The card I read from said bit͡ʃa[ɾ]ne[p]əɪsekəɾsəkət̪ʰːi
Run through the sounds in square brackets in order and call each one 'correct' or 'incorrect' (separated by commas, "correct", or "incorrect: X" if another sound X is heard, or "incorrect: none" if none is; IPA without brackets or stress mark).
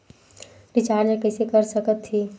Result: correct, incorrect: k